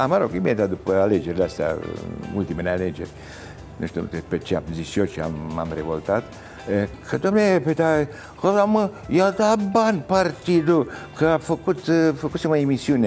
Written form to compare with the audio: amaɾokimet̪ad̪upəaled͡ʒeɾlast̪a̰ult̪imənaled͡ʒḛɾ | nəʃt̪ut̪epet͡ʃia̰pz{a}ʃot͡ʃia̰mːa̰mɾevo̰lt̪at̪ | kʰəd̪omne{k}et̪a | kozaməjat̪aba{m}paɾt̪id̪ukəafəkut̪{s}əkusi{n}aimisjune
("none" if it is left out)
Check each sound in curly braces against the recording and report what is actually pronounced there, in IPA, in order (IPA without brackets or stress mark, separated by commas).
i, p, n, f, m